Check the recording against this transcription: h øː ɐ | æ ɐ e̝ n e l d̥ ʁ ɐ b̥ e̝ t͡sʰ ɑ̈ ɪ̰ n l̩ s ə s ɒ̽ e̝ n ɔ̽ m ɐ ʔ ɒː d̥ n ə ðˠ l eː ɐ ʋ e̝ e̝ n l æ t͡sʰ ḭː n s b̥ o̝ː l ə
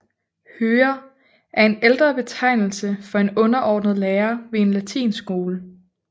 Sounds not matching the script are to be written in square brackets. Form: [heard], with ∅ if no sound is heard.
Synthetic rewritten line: h øː ɐ | æ ɐ e̝ n e l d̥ ʁ ɐ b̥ e̝ t͡sʰ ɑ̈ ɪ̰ n l̩ s ə [f] ɒ̽ e̝ n ɔ̽ [n] ɐ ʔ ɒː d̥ n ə ðˠ l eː ɐ ʋ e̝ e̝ n l æ t͡sʰ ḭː n s [ɡ̥] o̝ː l ə